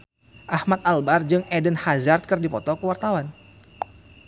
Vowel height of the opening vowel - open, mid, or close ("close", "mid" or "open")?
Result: open